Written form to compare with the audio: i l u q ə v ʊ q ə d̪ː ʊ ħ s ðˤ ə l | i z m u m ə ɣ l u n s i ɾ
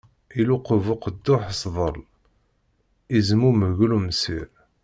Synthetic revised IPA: i l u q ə v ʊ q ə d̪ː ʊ ħ s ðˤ ə l | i z m u m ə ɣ l u m s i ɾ